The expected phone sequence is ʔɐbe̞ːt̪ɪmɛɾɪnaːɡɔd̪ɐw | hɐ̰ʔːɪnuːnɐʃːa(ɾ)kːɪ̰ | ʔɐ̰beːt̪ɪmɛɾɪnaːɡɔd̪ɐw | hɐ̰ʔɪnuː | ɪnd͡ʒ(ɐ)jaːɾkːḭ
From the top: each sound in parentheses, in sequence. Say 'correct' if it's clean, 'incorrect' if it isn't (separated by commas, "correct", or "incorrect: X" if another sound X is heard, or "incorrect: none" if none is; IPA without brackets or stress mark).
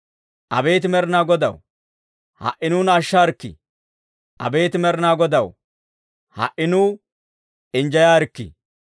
correct, correct